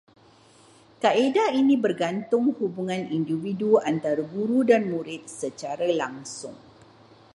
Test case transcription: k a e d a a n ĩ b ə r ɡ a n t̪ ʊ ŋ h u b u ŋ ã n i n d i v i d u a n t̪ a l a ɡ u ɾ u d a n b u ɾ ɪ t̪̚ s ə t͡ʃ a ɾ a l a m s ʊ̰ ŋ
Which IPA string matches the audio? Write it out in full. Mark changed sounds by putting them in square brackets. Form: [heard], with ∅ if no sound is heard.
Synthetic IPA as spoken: k a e d a [i] n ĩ b ə r ɡ a n t̪ ʊ ŋ h u b u ŋ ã n i n d i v i d u a n t̪ a [ɾ] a ɡ u ɾ u d a n [m] u ɾ ɪ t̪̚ s ə t͡ʃ a ɾ a l a [ŋ] s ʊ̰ ŋ